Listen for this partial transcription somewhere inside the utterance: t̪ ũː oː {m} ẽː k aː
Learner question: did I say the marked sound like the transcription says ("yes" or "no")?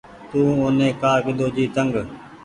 no